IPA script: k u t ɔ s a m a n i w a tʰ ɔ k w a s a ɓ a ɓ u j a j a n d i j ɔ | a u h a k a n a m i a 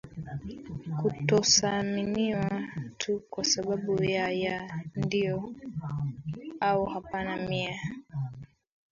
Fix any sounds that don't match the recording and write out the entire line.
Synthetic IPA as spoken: k u t ɔ s a m i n i w a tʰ u k w a s a ɓ a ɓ u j a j a n d i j ɔ | a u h a p a n a m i a